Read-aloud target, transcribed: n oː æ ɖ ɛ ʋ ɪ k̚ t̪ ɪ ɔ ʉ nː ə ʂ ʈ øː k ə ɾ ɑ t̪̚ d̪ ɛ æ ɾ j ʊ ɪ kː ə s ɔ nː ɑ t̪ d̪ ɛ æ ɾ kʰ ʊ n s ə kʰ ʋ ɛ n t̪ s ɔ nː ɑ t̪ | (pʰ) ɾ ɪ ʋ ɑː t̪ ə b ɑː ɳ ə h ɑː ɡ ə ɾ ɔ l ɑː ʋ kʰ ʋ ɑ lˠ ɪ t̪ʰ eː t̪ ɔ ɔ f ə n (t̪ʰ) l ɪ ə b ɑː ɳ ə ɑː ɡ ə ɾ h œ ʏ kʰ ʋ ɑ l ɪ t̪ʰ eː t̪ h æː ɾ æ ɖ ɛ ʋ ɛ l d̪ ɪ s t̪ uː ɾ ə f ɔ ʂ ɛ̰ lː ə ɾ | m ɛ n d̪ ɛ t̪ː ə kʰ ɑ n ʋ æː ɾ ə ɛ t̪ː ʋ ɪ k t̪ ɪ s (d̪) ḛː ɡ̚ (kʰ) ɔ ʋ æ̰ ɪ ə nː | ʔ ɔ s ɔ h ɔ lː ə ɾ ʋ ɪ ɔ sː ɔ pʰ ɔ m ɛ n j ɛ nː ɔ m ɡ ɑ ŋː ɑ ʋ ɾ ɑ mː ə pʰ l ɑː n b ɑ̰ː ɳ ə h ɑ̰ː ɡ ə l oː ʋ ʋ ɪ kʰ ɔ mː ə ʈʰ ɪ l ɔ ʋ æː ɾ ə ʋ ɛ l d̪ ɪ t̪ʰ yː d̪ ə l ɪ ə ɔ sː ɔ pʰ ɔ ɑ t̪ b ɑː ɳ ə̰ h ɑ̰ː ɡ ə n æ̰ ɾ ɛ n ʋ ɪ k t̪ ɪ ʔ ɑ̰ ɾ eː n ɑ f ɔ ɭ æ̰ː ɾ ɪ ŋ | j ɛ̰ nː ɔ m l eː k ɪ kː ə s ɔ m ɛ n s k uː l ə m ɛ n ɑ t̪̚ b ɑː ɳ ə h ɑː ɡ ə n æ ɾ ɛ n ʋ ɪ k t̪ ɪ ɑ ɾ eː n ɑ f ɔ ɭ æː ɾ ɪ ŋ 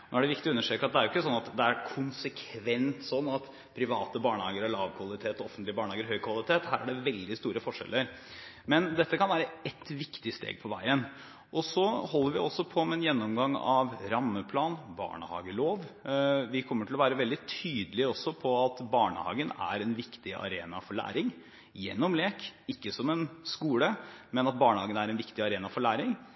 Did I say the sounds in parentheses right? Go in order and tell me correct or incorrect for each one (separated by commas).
correct, incorrect, incorrect, incorrect